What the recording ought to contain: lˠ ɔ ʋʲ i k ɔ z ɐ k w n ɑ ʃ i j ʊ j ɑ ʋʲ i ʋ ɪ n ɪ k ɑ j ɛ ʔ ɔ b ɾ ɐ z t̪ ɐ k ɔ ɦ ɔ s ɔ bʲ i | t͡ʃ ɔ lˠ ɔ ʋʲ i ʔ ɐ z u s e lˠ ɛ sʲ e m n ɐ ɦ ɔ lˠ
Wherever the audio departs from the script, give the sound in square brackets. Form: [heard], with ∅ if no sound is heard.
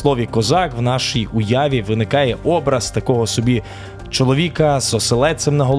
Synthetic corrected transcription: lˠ ɔ ʋʲ i k ɔ z [ɑ] k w n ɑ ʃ i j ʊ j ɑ ʋʲ i ʋ ɪ n ɪ k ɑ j ɛ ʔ ɔ b ɾ ɐ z t̪ ɐ k ɔ ɦ ɔ s ɔ bʲ i | t͡ʃ ɔ lˠ ɔ ʋʲ i [k] ɐ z [ɔ] s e lˠ ɛ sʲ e m n ɐ ɦ ɔ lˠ